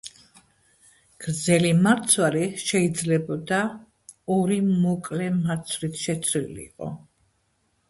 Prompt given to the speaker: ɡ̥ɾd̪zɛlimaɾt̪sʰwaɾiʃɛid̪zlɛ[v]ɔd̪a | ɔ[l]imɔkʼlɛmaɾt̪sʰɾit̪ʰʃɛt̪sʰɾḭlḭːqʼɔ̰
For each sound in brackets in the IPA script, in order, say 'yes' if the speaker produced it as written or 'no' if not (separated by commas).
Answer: no, no